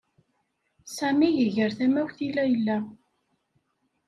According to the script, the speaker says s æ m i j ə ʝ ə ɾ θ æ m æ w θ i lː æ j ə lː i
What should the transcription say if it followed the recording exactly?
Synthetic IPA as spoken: s æ m i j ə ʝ ə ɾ θ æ m æ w θ i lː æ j ə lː æ